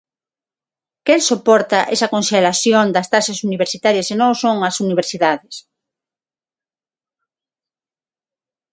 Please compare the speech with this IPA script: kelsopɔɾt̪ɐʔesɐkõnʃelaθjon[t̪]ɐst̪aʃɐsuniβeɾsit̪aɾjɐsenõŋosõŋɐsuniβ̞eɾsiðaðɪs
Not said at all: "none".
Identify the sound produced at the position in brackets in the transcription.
d̪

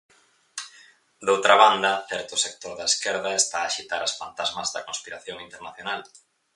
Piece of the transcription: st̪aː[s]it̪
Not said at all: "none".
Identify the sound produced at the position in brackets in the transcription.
ʃ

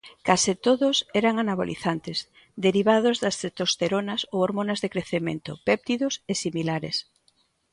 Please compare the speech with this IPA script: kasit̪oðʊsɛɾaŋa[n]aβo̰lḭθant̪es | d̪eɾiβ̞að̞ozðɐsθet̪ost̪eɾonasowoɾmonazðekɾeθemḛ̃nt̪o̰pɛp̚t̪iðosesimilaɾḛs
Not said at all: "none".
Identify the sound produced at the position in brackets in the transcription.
n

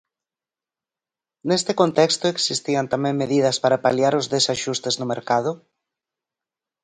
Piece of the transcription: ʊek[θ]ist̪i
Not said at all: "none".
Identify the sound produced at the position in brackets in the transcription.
s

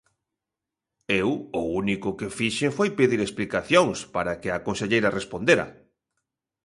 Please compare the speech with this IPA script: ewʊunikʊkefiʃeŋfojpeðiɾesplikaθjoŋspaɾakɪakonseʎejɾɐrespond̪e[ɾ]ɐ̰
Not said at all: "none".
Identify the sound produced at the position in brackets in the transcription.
ɾ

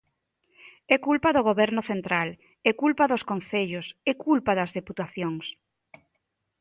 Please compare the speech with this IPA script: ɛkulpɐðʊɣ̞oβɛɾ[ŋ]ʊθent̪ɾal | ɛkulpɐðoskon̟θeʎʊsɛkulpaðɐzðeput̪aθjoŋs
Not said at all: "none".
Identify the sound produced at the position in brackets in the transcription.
n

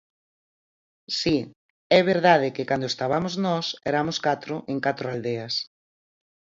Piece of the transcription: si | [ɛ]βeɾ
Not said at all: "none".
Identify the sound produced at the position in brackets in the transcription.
ɛ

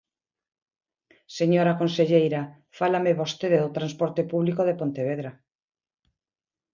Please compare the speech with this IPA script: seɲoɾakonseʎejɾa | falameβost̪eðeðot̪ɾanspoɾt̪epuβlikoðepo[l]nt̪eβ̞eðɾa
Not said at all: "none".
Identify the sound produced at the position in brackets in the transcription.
none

